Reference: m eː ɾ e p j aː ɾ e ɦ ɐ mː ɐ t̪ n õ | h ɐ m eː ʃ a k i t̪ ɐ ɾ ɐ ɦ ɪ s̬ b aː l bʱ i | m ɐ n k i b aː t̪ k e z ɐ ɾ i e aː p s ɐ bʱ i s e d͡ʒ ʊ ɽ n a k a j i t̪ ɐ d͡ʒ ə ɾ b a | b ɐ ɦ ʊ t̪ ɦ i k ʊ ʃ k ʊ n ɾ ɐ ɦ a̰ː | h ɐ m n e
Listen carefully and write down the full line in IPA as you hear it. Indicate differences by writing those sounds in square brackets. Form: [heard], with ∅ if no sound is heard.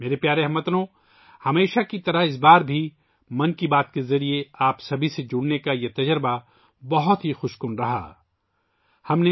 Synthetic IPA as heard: m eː ɾ e p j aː ɾ e ɦ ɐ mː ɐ t̪ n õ | h ɐ m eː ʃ a k i t̪ ɐ ɾ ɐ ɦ ɪ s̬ b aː [ɾ] bʱ i | m ɐ n k i b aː t̪ k e z ɐ ɾ i e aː p s ɐ bʱ i s e d͡ʒ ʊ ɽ n [e] k a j [e] t̪ ɐ d͡ʒ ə ɾ b a | b ɐ ɦ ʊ t̪ ɦ i [x] ʊ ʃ k ʊ n ɾ ɐ ɦ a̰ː | h ɐ m n e

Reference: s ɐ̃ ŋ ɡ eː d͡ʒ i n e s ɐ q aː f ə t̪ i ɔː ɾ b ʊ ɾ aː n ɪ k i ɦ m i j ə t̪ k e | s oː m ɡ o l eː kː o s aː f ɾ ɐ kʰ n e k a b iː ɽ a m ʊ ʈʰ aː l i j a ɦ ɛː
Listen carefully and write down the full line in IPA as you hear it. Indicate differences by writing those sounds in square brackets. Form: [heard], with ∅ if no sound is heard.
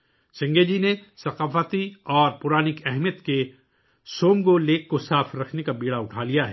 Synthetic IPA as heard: s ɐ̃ ŋ ɡ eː d͡ʒ i n e s ɐ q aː f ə t̪ i ɔː ɾ [p] ʊ ɾ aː n ɪ k [ɛ] ɦ m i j ə t̪ k e | s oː m ɡ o l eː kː o s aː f ɾ ɐ kʰ n e k a b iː ɽ a [∅] ʊ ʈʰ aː l i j a ɦ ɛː

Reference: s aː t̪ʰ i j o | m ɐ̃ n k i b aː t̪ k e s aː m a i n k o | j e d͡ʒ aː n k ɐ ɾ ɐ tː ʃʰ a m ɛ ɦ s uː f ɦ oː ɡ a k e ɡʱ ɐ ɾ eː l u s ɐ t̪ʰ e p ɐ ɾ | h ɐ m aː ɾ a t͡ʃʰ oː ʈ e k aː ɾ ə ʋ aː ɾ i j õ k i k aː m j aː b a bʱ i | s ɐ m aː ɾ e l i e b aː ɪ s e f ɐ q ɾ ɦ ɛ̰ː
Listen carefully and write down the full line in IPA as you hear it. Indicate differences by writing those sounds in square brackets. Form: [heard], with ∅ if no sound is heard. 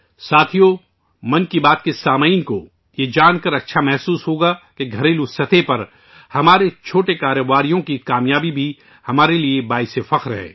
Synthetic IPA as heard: s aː t̪ʰ i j o | m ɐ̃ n k i b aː t̪ k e s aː m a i n k o | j e d͡ʒ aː n k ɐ ɾ ɐ tː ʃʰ a m ɛ ɦ s uː [s] ɦ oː ɡ a k e ɡʱ ɐ ɾ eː l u s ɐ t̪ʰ e p ɐ ɾ | h ɐ m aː ɾ [e] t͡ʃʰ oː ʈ e k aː ɾ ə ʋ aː ɾ i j õ k i k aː m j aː b [i] bʱ i | [h] ɐ m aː ɾ e l i e b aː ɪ s e f ɐ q ɾ ɦ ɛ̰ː

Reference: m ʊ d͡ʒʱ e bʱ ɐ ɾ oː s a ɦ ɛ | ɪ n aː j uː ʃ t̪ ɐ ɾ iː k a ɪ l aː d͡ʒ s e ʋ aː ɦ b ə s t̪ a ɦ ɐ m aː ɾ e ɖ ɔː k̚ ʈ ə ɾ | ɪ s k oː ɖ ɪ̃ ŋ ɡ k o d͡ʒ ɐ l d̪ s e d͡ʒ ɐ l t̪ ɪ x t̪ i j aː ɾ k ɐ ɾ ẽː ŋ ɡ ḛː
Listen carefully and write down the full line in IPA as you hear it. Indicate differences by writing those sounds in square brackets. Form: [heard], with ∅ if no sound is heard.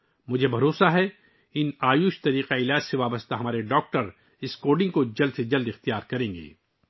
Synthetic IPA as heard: m ʊ d͡ʒʱ e bʱ ɐ ɾ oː s a ɦ ɛ | ɪ n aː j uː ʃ t̪ ɐ ɾ iː [q] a ɪ l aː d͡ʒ s e ʋ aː [∅] b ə s t̪ a ɦ ɐ m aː ɾ e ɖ ɔː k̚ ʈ ə ɾ | ɪ s k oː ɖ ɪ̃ ŋ ɡ k o d͡ʒ ɐ l d̪ s e d͡ʒ ɐ l [d̪] ɪ x t̪ i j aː ɾ k ɐ ɾ ẽː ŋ ɡ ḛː

